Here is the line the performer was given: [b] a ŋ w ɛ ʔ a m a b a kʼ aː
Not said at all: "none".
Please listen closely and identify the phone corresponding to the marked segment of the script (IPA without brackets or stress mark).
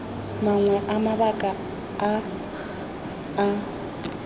m